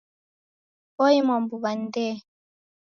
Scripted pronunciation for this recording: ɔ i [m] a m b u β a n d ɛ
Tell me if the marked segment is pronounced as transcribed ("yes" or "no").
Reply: yes